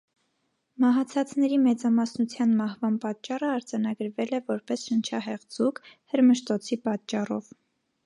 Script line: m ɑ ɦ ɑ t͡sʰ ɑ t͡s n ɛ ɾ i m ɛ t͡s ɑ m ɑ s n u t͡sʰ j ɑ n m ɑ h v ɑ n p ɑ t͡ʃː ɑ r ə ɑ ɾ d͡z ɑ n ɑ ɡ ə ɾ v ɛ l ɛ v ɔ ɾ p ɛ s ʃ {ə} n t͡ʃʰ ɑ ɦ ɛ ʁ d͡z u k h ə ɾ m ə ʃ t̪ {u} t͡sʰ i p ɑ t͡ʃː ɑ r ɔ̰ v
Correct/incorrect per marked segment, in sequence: correct, incorrect: ɔ

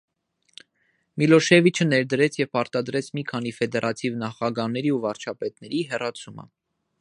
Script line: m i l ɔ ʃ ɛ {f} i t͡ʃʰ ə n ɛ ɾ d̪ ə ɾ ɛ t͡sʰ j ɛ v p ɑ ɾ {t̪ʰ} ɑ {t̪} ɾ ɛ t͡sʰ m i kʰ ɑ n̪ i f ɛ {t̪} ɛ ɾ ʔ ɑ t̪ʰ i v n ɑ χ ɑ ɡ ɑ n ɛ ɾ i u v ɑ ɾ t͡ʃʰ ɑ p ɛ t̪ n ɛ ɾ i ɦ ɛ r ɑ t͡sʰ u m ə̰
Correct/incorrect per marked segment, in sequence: incorrect: v, incorrect: t̪, incorrect: d̪, incorrect: d̪

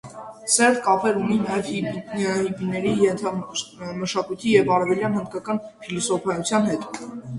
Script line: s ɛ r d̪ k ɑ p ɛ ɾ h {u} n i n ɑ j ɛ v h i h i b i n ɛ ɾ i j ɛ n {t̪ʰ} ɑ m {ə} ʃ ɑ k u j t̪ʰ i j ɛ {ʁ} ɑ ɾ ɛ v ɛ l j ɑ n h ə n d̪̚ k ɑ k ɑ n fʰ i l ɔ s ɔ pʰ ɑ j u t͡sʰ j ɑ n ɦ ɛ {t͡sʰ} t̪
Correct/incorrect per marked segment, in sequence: correct, correct, correct, incorrect: v, incorrect: none

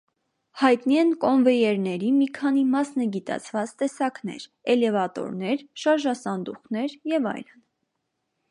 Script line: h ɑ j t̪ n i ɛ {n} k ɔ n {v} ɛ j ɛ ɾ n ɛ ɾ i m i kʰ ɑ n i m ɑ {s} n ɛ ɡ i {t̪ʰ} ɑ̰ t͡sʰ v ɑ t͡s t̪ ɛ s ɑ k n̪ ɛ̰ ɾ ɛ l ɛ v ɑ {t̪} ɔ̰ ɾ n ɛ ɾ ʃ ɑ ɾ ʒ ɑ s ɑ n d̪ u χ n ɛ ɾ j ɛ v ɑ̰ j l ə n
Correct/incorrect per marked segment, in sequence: correct, correct, correct, incorrect: t̪, correct

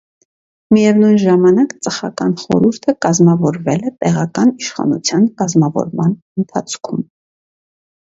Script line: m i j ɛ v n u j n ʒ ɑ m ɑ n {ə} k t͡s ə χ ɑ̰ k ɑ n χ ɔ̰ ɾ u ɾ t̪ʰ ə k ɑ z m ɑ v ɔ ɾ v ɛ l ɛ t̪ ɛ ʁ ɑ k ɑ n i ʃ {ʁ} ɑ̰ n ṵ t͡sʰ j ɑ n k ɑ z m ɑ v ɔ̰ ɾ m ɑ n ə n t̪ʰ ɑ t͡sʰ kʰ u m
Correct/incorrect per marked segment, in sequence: incorrect: ɑ, incorrect: χ

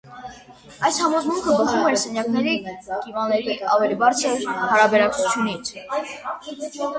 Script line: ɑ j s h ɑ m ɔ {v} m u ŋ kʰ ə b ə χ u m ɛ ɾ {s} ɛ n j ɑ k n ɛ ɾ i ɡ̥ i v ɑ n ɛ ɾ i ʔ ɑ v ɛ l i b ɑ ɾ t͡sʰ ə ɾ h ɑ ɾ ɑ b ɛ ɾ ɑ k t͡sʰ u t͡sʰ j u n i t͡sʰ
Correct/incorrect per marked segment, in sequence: incorrect: z, correct

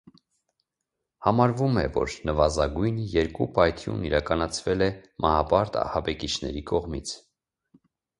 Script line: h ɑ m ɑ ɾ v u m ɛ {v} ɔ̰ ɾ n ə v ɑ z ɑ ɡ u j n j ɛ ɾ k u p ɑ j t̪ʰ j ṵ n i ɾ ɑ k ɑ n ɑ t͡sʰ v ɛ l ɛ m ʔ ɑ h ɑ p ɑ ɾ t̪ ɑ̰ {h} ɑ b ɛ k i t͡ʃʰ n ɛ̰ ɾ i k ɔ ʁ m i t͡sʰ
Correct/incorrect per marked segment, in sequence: correct, correct

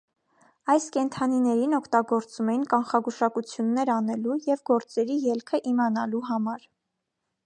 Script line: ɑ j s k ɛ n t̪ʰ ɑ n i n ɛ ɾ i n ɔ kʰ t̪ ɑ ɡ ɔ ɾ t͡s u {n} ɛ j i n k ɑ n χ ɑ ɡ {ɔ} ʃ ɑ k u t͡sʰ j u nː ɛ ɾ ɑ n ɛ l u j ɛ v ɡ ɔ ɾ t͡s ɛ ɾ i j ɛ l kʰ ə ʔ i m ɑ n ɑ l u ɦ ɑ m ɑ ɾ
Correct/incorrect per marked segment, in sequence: incorrect: m, incorrect: u

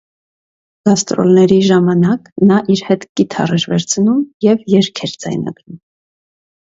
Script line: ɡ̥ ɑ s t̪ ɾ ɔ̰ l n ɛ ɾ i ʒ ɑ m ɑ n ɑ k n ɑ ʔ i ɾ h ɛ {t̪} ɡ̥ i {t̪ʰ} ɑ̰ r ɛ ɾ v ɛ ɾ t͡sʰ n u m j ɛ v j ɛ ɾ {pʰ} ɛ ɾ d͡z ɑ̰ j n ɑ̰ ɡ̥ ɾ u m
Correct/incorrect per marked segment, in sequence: correct, correct, incorrect: kʰ

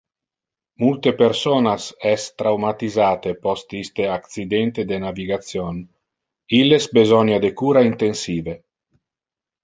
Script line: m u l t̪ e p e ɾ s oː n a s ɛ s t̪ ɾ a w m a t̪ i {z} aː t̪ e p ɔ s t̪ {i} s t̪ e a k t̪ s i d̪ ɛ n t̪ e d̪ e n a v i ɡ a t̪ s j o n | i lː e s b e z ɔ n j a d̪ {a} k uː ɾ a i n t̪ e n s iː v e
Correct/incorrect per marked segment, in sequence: correct, correct, incorrect: e

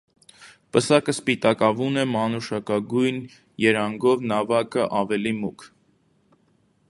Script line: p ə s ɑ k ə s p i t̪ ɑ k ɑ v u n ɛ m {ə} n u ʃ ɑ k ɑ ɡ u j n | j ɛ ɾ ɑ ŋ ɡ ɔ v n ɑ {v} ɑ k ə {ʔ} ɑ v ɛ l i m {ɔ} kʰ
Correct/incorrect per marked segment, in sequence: incorrect: ɑ, correct, correct, incorrect: u

